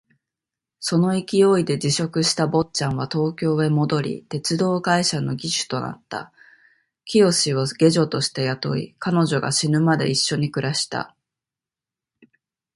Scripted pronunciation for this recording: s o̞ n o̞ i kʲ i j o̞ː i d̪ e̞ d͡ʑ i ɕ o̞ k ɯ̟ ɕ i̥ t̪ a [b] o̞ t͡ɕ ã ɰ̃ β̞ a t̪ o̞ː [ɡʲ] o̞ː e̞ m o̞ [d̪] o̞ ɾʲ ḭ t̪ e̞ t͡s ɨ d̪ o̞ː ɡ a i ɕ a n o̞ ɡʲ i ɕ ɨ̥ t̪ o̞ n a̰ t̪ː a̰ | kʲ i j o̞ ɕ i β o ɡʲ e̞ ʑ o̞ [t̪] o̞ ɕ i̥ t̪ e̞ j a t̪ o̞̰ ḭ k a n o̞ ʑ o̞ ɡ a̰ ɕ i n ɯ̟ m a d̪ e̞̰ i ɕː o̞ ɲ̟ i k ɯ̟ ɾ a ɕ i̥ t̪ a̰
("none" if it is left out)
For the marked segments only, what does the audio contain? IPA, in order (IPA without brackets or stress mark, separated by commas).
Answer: b, kʲ, d̪, t̪